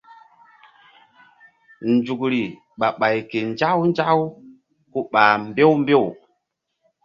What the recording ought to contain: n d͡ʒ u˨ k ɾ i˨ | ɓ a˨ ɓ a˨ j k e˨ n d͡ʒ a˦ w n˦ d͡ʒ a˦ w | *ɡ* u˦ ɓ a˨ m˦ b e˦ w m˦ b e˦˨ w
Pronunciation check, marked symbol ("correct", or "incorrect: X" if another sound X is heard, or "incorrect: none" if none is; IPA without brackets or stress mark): incorrect: k